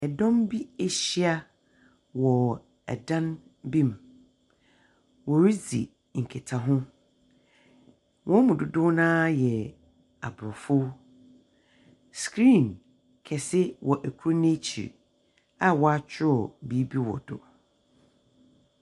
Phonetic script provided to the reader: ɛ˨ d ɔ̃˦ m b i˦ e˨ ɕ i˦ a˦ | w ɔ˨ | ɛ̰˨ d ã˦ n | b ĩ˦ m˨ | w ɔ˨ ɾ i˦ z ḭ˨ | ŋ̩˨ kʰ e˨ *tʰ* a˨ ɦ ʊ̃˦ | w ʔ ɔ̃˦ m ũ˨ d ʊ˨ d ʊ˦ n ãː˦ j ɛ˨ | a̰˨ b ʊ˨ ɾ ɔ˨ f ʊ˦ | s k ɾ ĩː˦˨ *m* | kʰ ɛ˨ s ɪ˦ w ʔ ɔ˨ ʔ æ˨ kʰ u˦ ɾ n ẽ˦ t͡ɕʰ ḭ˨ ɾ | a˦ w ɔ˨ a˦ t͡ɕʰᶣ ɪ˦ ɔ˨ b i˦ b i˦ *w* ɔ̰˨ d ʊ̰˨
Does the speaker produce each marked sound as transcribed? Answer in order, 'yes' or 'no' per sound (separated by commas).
yes, no, yes